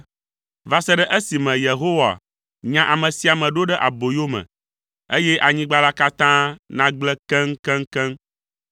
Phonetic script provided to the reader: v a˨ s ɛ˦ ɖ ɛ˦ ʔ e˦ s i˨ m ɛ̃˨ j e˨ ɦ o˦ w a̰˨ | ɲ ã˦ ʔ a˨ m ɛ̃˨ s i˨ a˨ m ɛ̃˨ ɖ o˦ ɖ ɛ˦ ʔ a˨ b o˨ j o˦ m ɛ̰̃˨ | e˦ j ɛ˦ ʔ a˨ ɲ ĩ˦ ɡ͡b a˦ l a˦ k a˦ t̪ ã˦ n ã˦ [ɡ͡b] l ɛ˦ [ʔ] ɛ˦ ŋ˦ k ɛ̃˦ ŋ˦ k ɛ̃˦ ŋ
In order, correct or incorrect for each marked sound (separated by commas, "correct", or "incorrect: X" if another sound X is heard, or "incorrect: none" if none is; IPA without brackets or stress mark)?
correct, incorrect: k